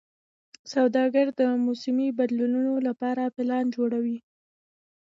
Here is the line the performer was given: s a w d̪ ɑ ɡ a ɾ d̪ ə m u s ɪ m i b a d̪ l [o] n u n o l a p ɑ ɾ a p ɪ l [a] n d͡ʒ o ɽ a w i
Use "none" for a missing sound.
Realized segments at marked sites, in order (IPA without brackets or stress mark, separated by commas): u, ɑ